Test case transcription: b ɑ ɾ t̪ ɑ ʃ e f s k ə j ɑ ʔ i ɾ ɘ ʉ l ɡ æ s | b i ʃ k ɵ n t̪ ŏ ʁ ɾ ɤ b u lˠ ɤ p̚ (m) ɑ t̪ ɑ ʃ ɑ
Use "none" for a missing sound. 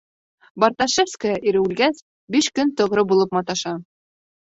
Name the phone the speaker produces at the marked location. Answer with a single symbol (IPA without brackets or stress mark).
m